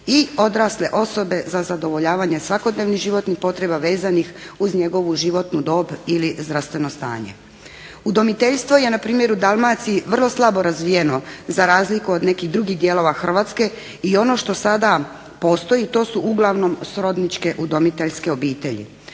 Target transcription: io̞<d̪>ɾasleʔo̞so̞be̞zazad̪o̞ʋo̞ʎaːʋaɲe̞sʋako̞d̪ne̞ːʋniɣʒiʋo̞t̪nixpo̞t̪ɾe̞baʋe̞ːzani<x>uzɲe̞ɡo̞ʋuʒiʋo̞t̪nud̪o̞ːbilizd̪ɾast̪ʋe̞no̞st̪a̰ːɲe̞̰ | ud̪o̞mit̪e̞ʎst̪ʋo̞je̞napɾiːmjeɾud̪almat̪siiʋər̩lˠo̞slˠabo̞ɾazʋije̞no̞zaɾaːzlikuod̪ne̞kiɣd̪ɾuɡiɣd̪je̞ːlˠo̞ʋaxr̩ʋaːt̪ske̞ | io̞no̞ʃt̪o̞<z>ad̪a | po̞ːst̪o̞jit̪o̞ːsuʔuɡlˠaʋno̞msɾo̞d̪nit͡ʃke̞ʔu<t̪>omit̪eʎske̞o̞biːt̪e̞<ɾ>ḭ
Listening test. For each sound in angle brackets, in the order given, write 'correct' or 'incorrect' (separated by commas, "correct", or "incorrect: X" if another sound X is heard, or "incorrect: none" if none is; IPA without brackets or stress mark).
correct, correct, incorrect: s, incorrect: d̪, incorrect: ʎ